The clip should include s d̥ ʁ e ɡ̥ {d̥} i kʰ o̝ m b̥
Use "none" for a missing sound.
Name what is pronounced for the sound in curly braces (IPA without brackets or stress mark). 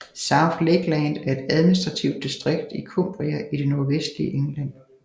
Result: d̥